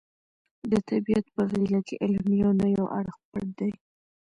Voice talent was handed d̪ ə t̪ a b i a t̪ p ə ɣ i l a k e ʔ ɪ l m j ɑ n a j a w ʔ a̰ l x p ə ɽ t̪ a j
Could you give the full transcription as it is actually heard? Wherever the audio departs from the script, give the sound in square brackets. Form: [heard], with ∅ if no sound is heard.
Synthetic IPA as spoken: d̪ ə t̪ a b i a t̪ p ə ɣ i l a k e ʔ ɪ l m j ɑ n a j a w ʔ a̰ [ɽ] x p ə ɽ [d̪] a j